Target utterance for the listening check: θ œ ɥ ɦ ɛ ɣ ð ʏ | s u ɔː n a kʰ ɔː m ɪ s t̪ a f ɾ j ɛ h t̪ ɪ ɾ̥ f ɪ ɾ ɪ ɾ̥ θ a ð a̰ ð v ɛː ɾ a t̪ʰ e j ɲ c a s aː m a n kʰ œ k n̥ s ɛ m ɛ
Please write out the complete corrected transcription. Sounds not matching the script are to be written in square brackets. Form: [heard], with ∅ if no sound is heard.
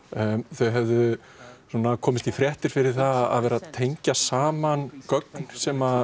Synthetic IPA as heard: θ œ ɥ ɦ ɛ [v] ð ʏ | s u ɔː n a kʰ ɔː m ɪ s t̪ [i] f ɾ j ɛ h t̪ ɪ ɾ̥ f ɪ ɾ ɪ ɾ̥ θ a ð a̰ ð v ɛː ɾ a t̪ʰ e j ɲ c a s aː m a n [k] œ k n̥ s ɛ m [a]